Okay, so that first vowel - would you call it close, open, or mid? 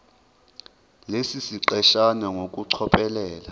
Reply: mid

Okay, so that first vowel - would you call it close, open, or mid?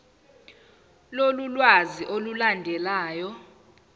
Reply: mid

